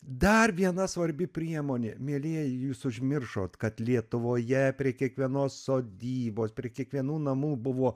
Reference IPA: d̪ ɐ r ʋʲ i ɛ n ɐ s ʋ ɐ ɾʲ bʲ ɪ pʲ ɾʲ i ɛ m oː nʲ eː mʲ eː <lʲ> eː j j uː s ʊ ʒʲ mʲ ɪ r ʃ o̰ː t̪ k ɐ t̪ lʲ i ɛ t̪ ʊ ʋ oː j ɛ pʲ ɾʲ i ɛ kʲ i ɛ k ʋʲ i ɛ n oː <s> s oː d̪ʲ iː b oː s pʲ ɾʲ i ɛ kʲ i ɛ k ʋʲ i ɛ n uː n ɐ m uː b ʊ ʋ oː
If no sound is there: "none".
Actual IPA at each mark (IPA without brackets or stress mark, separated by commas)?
lʲ, s